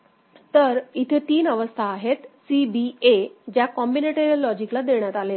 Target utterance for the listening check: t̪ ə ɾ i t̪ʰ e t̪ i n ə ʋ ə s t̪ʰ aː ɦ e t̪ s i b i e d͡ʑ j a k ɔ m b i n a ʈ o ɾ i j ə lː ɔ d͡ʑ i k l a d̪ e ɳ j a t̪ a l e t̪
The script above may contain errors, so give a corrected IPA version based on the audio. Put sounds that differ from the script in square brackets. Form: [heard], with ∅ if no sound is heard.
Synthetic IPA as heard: t̪ ə ɾ i t̪ʰ e t̪ [iː] n ə ʋ ə s t̪ʰ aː ɦ e t̪ s i b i e d͡ʑ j a k ɔ m b i n [e] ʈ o ɾ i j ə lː ɔ d͡ʑ i k l a d̪ e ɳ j a t̪ a l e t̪